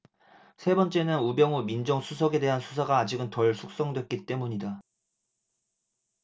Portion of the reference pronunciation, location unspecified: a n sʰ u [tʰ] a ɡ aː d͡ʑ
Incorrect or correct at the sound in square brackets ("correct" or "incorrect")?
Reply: incorrect